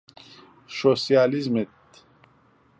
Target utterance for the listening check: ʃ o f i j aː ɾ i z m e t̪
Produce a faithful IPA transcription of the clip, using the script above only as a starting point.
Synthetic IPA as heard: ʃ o s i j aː l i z m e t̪